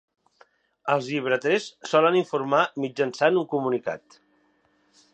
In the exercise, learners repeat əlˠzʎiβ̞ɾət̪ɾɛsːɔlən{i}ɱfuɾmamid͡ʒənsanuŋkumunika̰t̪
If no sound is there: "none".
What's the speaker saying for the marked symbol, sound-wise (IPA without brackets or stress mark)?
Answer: i